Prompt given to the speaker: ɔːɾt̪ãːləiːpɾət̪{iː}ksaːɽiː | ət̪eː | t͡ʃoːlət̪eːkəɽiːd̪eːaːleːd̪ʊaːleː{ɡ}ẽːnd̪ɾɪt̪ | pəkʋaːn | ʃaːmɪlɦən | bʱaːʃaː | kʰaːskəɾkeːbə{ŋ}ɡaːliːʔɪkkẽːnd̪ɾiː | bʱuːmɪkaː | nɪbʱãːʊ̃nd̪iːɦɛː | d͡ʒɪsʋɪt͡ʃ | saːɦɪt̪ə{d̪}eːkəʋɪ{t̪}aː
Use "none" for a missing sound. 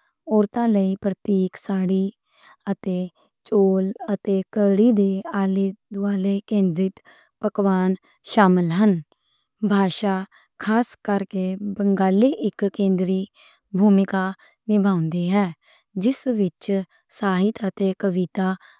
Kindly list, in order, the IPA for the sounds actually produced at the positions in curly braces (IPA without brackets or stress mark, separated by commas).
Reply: iː, k, ŋ, t̪, t̪